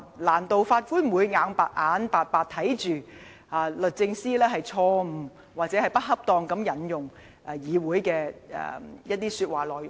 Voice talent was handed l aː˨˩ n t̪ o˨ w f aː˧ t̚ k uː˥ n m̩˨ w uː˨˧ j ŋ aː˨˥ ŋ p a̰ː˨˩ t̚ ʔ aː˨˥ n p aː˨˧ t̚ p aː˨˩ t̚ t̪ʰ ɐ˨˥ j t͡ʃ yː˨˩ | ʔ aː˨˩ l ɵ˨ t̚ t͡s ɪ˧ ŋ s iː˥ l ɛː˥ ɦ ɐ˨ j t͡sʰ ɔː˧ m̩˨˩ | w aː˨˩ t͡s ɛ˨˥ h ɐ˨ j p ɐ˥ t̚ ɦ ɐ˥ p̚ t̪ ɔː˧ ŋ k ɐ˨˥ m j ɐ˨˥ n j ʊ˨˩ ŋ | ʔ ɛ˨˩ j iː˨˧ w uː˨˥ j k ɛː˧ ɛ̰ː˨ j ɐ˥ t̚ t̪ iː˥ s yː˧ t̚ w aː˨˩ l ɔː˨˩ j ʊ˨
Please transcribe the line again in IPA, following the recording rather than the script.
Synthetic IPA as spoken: l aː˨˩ n t̪ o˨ w f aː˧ t̚ k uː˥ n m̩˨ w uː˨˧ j ŋ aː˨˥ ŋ p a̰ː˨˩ t̚ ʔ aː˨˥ n p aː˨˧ t̚ p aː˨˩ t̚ t̪ʰ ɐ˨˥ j t͡ʃ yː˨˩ | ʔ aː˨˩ l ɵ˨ t̚ t͡s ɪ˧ ŋ s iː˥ l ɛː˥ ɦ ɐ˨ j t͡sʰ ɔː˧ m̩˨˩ | w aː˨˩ t͡s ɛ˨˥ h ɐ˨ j p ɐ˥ t̚ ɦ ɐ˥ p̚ t̪ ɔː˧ ŋ k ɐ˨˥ m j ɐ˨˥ n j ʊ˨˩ ŋ | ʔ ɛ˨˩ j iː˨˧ w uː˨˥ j k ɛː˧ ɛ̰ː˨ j ɐ˥ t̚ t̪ iː˥ s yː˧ t̚ w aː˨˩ l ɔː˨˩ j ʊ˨